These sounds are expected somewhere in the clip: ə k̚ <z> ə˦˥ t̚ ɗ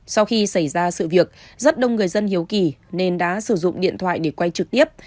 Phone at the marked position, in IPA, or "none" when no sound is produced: z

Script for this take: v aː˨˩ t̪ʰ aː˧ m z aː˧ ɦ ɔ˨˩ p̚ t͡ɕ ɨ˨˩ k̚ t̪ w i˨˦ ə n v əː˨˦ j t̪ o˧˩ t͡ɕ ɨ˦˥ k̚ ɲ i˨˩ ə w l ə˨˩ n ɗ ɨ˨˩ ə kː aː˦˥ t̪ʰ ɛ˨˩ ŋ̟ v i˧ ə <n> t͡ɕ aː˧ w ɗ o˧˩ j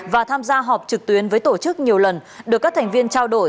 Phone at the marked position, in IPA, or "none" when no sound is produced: n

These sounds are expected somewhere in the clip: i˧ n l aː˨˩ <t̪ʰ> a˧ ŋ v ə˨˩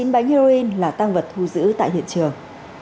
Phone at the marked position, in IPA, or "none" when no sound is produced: t̪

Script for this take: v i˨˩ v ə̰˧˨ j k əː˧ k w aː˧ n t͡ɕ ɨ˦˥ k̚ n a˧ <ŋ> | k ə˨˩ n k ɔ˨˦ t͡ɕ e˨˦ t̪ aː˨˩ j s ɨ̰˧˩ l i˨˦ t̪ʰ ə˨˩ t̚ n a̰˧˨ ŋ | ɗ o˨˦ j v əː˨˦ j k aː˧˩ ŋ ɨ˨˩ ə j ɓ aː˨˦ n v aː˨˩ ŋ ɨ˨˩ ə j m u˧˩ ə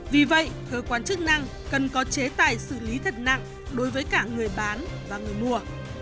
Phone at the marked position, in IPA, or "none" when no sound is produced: ŋ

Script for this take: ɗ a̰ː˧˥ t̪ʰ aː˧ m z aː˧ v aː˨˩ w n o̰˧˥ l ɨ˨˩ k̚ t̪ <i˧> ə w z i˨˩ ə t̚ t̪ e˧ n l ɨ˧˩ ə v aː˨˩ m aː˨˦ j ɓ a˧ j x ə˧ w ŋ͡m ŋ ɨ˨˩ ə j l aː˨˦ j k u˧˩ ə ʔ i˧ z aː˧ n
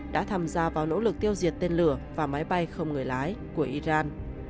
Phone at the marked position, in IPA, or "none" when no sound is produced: i˧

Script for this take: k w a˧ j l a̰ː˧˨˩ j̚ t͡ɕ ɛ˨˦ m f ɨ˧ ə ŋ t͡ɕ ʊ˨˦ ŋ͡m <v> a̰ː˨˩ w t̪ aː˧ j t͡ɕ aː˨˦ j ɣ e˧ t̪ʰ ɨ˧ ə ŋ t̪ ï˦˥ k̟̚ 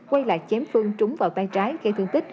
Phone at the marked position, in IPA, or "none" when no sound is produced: v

